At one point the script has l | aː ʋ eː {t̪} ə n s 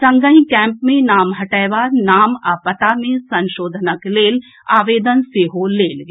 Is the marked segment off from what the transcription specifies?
yes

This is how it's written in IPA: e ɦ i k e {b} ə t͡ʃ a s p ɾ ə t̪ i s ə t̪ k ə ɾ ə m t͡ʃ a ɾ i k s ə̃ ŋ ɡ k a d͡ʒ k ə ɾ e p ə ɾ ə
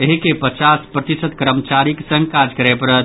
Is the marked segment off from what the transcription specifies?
yes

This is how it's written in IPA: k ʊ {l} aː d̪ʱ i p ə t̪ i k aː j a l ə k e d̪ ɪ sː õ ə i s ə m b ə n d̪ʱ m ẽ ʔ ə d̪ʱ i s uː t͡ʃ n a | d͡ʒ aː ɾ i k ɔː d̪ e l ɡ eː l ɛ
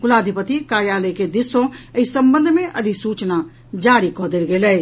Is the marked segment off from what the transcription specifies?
no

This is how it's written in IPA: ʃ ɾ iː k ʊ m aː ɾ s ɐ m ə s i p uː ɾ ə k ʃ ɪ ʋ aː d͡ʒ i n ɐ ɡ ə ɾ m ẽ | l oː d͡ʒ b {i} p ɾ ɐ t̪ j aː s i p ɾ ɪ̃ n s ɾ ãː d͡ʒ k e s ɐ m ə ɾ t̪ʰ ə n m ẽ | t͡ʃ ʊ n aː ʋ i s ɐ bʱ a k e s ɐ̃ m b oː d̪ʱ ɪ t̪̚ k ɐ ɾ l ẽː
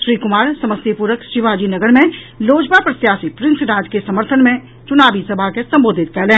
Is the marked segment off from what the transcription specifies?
yes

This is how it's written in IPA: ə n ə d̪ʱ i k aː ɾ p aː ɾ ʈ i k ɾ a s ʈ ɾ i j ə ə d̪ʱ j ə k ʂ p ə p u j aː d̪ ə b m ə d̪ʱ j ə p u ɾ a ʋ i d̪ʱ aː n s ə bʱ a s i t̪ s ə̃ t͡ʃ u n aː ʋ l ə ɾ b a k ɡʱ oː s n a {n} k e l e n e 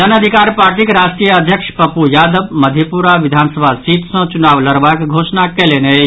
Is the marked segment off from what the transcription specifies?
yes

